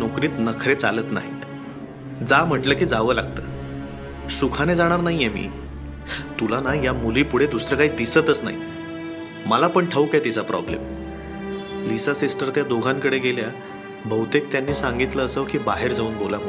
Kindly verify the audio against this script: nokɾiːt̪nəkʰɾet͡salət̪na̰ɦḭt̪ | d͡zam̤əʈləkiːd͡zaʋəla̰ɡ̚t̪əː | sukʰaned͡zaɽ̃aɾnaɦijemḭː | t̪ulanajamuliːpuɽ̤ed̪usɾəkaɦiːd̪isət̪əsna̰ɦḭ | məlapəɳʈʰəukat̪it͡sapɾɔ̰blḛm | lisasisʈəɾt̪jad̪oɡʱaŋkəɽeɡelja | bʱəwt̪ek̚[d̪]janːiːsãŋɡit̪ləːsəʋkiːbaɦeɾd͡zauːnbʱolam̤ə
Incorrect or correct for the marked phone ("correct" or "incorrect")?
incorrect